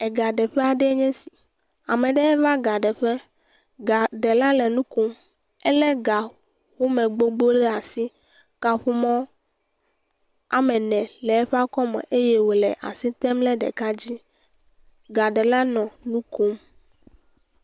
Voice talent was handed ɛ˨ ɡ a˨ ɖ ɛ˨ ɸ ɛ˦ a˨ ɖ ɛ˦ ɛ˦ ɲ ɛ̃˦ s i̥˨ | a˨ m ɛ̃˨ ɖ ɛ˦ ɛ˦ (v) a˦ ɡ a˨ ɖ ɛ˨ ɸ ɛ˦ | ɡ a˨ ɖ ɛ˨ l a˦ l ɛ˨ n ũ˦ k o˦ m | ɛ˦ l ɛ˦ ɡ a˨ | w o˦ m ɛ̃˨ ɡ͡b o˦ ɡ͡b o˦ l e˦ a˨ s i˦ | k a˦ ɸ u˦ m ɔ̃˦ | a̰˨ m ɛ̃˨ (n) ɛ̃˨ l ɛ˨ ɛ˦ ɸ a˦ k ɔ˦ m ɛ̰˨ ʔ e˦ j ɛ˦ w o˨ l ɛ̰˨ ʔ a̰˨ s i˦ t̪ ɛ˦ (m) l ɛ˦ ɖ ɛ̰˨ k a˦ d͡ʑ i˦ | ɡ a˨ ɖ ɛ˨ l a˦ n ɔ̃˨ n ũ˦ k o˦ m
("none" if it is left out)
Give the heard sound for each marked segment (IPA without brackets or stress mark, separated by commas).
v, n, m